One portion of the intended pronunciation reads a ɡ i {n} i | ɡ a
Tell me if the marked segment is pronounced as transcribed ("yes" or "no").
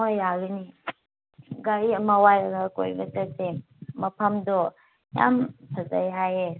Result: yes